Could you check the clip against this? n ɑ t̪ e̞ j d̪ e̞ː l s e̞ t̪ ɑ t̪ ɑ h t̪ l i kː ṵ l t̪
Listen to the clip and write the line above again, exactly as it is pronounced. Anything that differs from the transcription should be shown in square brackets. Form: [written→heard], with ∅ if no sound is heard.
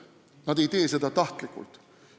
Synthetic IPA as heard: n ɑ [t̪→d̪] e̞ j [d̪→t̪] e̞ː [l→∅] s e̞ [t̪→d̪] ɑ t̪ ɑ h t̪ l i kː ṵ l t̪

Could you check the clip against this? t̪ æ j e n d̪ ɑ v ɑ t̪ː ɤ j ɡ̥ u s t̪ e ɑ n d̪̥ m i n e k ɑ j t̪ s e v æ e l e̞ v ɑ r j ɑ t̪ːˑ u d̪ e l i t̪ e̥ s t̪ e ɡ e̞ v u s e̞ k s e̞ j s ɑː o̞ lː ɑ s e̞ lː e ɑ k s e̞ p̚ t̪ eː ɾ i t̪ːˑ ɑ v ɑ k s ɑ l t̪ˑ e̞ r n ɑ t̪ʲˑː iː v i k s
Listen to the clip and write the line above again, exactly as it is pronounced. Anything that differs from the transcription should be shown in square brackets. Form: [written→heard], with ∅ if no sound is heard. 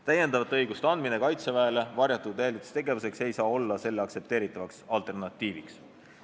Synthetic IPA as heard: t̪ æ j e n d̪ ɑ v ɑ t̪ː ɤ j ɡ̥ u s t̪ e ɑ n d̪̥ m i n e k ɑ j t̪ s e v æ e l e̞ v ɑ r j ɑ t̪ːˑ u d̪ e l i t̪ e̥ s t̪ e ɡ e̞ v u s e̞ k s e̞ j s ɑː o̞ lː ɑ s e̞ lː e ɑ k s e̞ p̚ t̪ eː ɾ i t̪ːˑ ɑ v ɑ k s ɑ l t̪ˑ e̞ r n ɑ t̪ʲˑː iː v i k s

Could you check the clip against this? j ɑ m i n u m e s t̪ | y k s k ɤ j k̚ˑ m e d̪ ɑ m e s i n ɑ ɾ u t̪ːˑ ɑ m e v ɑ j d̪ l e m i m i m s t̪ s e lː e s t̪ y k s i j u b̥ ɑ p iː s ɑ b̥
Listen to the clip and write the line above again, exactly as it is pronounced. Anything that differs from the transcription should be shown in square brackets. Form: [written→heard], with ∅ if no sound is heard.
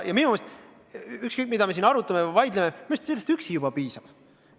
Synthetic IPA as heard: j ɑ m i n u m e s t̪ | y k s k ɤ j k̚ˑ m [e→i] d̪ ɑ m e s i n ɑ ɾ u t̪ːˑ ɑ m e v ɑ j d̪ l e m [i→e] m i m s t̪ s e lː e s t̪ y k s i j u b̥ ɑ p iː s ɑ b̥

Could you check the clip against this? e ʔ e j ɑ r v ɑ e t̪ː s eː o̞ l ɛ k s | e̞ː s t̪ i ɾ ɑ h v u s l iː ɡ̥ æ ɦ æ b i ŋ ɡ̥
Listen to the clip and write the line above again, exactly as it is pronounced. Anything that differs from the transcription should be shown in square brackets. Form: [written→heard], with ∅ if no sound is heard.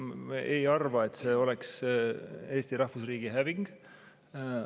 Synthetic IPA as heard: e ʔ e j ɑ r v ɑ e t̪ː s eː o̞ l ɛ k s | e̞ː s t̪ i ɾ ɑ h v u s [l→r] iː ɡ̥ [æ→i] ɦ æ [b→v] i ŋ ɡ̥

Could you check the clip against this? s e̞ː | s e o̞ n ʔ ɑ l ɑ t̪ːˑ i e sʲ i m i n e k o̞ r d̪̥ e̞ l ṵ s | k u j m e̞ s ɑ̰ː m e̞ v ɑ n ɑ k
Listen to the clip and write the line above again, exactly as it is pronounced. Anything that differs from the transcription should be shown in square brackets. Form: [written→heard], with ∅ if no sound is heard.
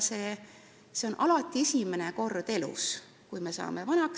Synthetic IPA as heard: s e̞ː | s e o̞ n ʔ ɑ l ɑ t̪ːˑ i e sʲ i m [i→e] n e k o̞ r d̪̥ e̞ l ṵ s | k u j m e̞ s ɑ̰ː m e̞ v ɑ n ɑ k

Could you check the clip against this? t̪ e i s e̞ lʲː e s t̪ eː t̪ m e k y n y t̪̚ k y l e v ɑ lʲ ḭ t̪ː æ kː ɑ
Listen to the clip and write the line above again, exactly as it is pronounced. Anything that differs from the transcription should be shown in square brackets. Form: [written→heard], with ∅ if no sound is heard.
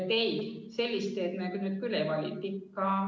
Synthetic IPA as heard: t̪ e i s e̞ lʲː [e→i] s t̪ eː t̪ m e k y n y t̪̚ k y l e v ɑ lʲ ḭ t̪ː [æ→i] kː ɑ

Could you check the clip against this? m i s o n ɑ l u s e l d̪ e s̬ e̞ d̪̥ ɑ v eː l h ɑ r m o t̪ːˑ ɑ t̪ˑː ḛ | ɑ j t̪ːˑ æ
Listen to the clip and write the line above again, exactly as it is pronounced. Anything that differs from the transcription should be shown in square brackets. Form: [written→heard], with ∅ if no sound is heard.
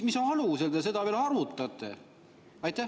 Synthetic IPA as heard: m i s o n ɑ l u s e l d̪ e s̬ e̞ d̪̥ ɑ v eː l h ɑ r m [o→u] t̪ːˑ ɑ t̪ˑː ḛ | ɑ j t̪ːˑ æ

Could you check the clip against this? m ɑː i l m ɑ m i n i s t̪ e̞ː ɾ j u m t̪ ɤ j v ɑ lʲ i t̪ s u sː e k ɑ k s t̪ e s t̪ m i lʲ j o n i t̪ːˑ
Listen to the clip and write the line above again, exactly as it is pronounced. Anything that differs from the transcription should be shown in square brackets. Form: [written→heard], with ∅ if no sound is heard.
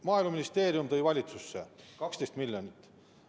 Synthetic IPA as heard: m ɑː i l m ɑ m i n i s t̪ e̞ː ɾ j u m t̪ ɤ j v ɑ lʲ i t̪ s u sː e k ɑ k s t̪ e s t̪ m i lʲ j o n i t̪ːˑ

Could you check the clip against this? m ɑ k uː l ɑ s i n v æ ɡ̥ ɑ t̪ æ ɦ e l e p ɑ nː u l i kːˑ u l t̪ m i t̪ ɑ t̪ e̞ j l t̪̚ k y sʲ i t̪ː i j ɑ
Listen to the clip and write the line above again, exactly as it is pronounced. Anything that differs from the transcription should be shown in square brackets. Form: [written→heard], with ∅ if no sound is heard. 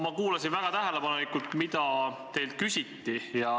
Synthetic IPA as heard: m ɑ k uː l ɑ s i n v æ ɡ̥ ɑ t̪ æ ɦ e l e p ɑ [nː→n] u l i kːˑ u l t̪ m i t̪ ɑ t̪ e̞ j l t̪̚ k y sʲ i t̪ː i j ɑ

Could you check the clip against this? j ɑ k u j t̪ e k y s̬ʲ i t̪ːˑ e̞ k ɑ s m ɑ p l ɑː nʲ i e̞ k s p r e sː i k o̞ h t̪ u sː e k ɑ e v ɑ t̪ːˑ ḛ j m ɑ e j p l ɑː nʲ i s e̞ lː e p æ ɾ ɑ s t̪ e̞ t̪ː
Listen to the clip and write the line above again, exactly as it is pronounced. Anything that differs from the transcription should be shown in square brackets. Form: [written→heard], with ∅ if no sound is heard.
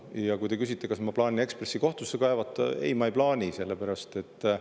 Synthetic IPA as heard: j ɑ k u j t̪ e k y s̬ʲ i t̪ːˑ e̞ k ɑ s m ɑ p l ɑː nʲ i e̞ k s p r e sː i k o̞ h t̪ u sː e k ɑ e v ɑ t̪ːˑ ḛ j m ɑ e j p l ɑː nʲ i s e̞ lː e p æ ɾ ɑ s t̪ e̞ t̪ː

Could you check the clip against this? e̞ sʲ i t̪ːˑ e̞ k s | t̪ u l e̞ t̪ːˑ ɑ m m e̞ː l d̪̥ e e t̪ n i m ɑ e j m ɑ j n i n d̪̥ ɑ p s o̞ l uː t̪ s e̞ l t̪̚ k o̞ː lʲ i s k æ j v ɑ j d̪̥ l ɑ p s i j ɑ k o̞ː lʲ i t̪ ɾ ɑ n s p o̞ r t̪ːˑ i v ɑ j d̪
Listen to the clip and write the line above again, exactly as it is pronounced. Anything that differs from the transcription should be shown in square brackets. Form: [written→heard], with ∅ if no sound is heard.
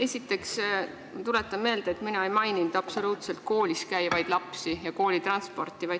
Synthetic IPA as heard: e̞ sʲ i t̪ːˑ e̞ k s | t̪ u l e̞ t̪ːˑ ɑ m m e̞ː l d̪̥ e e t̪ [n→m] i [m→n] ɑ e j m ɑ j n i n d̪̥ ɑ p s o̞ l uː t̪ s e̞ l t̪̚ k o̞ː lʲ i s k æ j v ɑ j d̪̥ l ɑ p s i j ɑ k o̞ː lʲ i t̪ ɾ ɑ n s p o̞ r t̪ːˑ i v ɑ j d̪

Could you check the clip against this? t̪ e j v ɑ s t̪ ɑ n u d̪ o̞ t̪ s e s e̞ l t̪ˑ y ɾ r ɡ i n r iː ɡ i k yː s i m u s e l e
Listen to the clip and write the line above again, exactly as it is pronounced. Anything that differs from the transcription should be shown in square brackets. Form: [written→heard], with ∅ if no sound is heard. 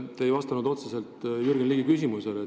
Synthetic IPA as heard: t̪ e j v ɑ s t̪ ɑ n u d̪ o̞ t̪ s e s e̞ l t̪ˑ y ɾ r ɡ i n [r→l] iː ɡ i k [yː→y] s i m u s e l e

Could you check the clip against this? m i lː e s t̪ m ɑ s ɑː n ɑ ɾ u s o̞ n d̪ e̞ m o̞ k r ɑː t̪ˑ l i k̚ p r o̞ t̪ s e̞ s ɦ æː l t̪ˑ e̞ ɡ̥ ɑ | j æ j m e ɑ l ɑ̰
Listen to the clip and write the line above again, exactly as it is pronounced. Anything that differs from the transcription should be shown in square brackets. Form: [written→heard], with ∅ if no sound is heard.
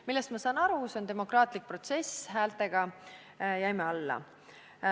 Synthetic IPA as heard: m i lː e s t̪ m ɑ s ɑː n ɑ ɾ u s o̞ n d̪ e̞ m o̞ k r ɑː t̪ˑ l i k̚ p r o̞ t̪ s e̞ s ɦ æː l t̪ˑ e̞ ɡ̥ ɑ | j æ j m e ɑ [l→lː] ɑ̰

